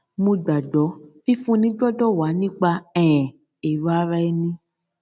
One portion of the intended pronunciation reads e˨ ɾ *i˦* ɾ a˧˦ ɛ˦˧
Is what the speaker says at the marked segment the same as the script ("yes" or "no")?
no